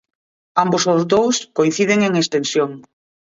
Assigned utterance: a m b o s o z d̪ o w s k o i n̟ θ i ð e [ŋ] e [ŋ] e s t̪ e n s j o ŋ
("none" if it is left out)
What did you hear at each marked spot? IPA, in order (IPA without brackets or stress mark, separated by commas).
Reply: ŋ, ŋ